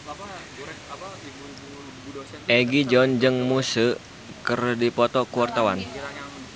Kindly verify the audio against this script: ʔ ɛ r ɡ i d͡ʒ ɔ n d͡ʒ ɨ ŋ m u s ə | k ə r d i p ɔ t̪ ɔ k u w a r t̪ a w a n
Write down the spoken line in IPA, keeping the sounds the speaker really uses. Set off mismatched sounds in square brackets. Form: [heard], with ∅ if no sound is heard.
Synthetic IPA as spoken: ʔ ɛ [∅] ɡ i d͡ʒ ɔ n d͡ʒ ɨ ŋ m u s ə | k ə r d i p ɔ t̪ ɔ k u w a r t̪ a w a n